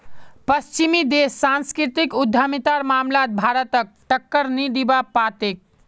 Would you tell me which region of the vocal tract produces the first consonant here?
lips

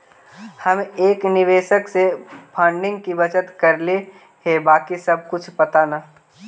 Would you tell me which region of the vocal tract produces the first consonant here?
throat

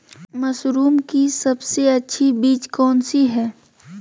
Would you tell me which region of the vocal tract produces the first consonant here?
lips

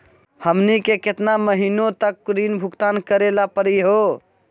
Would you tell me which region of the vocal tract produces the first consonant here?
throat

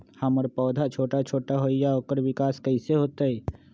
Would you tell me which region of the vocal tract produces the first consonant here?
throat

